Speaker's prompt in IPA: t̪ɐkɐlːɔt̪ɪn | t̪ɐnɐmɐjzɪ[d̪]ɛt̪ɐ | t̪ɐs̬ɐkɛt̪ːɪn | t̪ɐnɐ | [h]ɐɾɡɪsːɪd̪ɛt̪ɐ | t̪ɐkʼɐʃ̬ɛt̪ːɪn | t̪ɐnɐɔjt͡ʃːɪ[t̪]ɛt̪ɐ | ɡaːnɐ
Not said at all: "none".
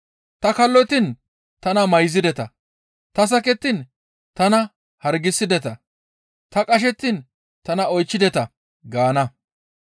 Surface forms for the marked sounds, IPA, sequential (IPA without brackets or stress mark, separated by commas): d̪, h, d̪